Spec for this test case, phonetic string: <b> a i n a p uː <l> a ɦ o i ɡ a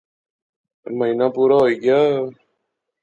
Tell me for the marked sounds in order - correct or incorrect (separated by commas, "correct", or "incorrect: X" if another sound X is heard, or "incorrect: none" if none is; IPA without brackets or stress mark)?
incorrect: m, incorrect: ɾ